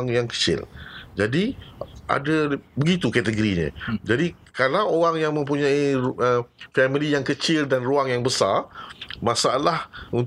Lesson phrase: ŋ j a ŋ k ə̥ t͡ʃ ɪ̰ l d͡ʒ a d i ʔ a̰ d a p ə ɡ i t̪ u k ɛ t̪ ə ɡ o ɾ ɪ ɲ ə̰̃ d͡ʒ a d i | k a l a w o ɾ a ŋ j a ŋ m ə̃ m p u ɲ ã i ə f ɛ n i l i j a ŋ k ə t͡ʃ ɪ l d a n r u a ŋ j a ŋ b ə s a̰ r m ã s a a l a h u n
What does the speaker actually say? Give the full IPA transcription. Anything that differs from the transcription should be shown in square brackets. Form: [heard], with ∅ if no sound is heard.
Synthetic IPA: ŋ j a ŋ k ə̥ t͡ʃ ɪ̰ l d͡ʒ a d i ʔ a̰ d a [b] ə ɡ i t̪ u k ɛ t̪ ə ɡ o ɾ [i] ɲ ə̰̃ d͡ʒ a d i | k a l a w o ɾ a ŋ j a ŋ m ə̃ m p u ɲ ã i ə f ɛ [m] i l i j a ŋ k ə t͡ʃ ɪ l d a n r u a ŋ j a ŋ b ə s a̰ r m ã s a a l a h u n